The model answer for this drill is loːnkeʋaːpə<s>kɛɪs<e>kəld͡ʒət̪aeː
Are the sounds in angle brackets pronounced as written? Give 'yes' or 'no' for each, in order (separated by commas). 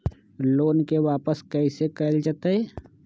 yes, yes